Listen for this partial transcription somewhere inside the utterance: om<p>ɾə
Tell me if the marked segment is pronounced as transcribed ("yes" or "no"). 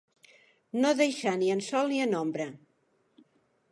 no